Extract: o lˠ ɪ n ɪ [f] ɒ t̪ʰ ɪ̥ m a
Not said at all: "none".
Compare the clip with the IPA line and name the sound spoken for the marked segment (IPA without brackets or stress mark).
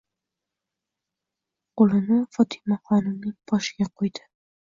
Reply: f